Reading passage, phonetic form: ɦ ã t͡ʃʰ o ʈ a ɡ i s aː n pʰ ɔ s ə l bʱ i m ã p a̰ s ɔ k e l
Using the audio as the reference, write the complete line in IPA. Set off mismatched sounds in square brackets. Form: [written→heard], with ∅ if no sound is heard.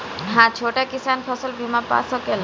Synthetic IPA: ɦ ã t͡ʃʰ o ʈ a [ɡ→k] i s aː n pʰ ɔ s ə l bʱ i m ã p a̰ s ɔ k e l

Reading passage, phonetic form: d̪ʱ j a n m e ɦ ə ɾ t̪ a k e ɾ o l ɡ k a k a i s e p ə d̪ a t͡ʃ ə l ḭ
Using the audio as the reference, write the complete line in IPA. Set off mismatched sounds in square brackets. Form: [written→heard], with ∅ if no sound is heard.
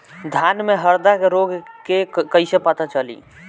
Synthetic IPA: d̪ʱ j a n m e ɦ ə ɾ [t̪→d̪] a k e ɾ o [l→∅] ɡ k [a→e] k [a→ə] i s e p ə [d̪→t̪] a t͡ʃ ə l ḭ

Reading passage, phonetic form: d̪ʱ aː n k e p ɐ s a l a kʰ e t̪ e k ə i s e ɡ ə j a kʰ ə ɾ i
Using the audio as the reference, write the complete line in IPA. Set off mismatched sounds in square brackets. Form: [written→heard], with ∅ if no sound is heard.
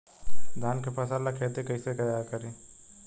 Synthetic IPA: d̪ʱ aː n k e p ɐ s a l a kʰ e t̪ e k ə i s e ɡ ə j a [kʰ→k] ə ɾ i

